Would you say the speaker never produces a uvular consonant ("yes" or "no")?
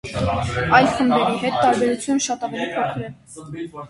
no